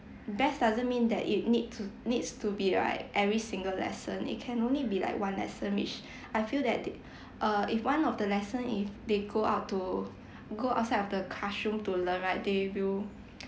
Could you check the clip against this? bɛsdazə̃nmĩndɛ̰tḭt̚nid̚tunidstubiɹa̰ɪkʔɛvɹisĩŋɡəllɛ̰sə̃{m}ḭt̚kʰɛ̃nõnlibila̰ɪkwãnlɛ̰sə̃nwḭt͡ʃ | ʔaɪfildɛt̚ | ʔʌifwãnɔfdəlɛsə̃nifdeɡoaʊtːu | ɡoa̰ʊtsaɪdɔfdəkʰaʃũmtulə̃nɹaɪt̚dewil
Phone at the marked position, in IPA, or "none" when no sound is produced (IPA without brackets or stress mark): n